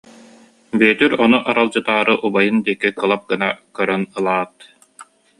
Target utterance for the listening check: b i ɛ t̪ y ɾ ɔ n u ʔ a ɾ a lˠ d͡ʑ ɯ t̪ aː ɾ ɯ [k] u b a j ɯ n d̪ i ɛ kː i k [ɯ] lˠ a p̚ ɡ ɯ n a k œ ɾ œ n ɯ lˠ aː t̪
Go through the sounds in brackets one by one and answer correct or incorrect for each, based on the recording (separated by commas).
incorrect, correct